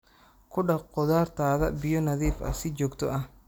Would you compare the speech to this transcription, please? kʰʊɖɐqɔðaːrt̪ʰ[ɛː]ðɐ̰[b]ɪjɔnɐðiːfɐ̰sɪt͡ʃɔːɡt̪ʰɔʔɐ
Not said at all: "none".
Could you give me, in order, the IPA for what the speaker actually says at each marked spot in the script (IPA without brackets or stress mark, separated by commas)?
aː, b